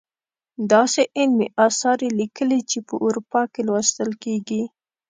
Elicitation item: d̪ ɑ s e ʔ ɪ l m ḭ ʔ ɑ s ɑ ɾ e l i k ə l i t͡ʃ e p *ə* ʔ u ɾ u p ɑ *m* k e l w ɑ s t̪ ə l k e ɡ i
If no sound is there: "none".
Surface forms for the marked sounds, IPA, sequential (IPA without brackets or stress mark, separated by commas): ə, none